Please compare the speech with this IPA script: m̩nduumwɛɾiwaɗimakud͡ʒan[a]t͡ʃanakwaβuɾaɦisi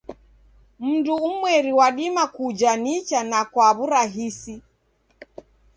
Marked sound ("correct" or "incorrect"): incorrect